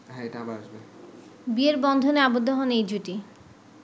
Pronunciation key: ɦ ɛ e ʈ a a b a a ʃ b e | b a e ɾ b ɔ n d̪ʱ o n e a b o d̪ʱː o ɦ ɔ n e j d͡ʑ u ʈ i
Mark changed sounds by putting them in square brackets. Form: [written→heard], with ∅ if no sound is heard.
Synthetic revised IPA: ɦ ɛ e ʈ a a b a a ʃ b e | b [a→i] e ɾ b ɔ n d̪ʱ o n e a b o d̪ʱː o ɦ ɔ n e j d͡ʑ u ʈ i